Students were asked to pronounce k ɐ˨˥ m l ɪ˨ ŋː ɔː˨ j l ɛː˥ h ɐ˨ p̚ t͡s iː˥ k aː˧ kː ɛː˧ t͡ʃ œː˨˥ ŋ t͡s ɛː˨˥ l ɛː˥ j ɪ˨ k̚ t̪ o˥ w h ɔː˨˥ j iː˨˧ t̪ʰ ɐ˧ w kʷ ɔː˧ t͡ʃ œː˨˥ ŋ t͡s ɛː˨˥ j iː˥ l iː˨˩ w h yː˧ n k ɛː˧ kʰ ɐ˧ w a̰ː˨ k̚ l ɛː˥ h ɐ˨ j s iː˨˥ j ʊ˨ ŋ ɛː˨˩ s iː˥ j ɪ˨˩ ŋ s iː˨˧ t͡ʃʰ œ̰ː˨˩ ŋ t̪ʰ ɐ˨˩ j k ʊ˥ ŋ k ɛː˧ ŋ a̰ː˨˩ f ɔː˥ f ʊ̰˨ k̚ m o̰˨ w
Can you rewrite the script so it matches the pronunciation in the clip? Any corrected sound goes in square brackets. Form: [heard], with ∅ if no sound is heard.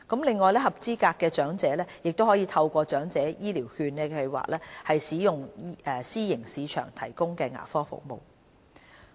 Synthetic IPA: k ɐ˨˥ m l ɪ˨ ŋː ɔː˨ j l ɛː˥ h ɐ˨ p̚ t͡s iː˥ k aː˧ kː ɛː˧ t͡ʃ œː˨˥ ŋ t͡s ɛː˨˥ l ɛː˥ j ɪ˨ k̚ t̪ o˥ w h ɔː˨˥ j iː˨˧ t̪ʰ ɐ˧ w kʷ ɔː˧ t͡ʃ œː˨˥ ŋ t͡s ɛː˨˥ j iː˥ l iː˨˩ w h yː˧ n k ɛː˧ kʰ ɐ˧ w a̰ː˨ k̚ l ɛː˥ h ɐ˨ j s iː˨˥ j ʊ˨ ŋ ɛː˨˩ s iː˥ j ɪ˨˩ ŋ s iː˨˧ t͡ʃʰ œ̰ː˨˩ ŋ t̪ʰ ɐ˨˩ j k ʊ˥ ŋ k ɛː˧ ŋ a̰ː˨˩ f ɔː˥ f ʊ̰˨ k̚ m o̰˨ w